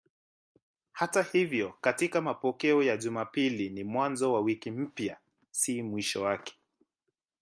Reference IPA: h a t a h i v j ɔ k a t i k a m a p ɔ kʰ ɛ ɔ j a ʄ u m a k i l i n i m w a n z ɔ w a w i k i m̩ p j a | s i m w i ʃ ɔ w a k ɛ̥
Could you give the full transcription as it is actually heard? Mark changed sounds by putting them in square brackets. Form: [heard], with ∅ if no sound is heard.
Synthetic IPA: h a t a h i v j ɔ k a t i k a m a p ɔ [k] ɛ ɔ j a ʄ u m a [p] i l i n i m w a n z ɔ w a w i k i m̩ p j a | s i m w i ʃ ɔ w a k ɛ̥